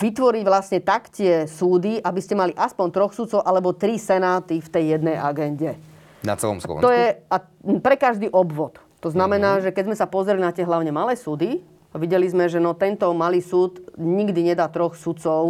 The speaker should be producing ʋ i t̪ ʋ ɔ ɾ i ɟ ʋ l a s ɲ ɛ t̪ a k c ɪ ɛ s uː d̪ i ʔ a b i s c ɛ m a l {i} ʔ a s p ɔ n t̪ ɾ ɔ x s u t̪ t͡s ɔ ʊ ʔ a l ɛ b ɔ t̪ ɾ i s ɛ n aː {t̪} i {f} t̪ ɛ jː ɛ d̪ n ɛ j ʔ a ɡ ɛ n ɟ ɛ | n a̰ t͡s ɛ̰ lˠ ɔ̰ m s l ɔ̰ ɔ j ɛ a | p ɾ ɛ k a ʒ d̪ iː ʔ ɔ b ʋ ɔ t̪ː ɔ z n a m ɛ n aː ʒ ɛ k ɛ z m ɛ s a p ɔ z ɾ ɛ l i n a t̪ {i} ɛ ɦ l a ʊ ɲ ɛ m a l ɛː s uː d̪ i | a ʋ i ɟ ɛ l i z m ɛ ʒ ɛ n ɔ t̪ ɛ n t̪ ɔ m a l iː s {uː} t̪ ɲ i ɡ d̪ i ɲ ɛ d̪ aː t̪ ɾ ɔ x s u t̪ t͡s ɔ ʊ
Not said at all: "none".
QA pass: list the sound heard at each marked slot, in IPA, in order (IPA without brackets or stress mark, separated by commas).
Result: i, t̪, f, ɪ, uː